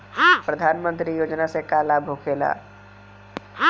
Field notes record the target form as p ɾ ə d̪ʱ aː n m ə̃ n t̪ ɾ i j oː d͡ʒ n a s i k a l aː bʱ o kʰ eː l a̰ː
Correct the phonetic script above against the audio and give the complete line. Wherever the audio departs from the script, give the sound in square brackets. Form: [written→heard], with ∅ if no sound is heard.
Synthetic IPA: p ɾ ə d̪ʱ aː n m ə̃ n t̪ ɾ i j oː d͡ʒ n a s [i→e] k a l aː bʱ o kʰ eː l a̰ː